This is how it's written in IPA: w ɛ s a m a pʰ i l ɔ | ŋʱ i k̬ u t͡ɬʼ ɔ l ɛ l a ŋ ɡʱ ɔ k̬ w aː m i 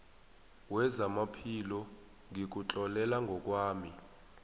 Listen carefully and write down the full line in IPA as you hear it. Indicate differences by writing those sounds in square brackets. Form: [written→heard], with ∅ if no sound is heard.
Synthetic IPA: w ɛ [s→z] a m a pʰ i l ɔ | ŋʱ i k̬ u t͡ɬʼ ɔ l ɛ l a ŋ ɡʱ ɔ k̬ w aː m i